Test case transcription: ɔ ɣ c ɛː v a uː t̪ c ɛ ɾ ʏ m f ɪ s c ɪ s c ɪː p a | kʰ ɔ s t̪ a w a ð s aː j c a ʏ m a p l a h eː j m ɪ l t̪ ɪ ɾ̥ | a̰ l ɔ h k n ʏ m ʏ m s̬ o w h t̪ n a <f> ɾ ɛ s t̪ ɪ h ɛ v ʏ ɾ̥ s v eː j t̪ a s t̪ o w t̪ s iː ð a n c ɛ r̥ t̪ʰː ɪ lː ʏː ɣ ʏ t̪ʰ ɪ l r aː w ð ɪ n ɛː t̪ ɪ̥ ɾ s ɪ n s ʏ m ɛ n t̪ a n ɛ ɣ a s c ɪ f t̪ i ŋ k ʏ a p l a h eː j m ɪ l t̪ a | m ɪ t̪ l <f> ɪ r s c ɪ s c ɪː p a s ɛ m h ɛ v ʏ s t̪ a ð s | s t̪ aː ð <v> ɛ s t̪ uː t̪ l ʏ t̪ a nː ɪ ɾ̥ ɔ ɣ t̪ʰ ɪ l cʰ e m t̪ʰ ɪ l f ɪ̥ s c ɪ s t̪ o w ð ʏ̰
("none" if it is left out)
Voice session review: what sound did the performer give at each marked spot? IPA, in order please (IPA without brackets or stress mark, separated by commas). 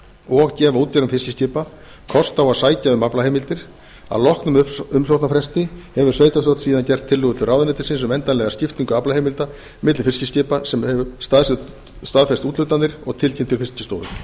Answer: f, f, f